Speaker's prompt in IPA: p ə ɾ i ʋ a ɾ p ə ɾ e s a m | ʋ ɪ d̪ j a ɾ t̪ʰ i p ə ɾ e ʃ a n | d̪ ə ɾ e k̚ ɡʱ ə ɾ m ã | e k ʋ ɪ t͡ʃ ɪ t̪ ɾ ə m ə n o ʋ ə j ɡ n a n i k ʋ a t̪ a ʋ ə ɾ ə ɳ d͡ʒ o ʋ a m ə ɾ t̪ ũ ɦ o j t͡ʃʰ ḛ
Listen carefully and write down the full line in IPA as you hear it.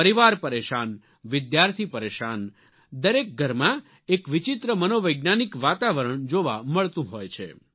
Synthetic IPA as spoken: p ə ɾ i ʋ a ɾ p ə ɾ e ʃ a n | ʋ ɪ d̪ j a ɾ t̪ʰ i p ə ɾ e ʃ a n | d̪ ə ɾ e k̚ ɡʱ ə ɾ m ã | e k ʋ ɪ t͡ʃ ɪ t̪ ɾ ə m ə n o ʋ ə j ɡ n a n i k ʋ a t̪ a ʋ ə ɾ ə ɳ d͡ʒ o ʋ a m ə ɭ t̪ ũ ɦ o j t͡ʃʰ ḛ